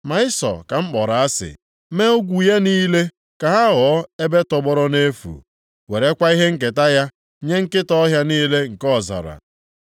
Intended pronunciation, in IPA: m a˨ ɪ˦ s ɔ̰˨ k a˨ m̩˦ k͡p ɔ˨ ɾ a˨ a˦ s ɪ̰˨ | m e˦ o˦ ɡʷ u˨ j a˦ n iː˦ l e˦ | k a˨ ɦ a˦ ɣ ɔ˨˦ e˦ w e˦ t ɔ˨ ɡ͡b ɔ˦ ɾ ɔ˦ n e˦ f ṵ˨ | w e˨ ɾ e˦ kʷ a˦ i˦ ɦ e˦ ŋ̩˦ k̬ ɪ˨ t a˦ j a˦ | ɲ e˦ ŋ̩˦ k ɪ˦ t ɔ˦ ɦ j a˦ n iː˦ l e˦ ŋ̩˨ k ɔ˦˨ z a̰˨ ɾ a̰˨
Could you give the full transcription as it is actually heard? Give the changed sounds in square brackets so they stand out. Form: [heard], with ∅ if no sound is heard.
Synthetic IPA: m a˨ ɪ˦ s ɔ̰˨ k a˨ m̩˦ k͡p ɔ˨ ɾ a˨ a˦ s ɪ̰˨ | m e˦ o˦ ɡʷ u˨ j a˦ n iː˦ l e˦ | k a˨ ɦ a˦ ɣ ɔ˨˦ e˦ [b] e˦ t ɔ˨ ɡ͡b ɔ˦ ɾ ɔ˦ n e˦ f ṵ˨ | w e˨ ɾ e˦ kʷ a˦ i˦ ɦ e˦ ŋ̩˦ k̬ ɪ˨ t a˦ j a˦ | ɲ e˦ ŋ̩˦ k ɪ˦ t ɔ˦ ɦ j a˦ n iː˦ l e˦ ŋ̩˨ k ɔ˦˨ z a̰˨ ɾ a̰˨